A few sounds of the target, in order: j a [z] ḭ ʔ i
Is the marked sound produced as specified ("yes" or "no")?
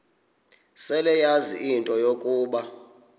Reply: yes